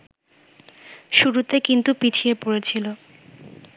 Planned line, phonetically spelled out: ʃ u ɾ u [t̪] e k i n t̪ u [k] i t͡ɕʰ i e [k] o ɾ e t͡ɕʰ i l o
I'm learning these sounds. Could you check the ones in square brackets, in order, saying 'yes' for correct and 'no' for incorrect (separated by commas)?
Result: yes, no, no